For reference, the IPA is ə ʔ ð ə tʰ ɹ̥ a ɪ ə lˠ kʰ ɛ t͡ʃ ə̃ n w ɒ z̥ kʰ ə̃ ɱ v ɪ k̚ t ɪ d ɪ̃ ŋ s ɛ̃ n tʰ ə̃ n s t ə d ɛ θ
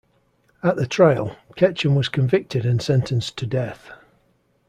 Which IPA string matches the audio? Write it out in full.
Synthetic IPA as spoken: ə ʔ ð ə tʰ ɹ̥ a ɪ ə lˠ kʰ ɛ t͡ʃ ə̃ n w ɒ z̥ kʰ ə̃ ɱ v ɪ k̚ t ɪ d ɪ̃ n s ɛ̃ n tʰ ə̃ n s tʰ ə d ɛ θ